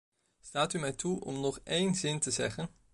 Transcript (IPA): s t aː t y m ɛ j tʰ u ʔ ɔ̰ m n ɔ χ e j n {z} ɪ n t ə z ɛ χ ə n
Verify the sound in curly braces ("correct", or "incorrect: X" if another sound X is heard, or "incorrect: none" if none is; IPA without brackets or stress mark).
correct